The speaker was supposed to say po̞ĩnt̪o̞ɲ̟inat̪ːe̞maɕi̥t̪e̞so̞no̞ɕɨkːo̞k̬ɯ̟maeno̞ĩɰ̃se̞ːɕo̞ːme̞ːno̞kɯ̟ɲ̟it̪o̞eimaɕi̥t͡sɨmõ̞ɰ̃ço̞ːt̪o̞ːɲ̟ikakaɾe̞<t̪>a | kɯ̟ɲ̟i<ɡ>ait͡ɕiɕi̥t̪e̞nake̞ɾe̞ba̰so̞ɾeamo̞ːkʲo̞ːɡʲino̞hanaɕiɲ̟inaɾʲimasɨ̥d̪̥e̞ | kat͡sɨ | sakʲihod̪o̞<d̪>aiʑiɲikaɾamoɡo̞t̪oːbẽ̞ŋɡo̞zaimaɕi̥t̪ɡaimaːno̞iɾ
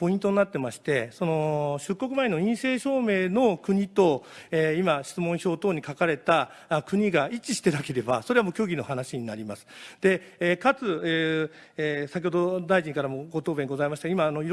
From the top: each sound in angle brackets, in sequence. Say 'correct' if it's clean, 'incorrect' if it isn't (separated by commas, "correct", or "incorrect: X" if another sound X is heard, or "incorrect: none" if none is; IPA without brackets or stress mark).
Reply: correct, correct, correct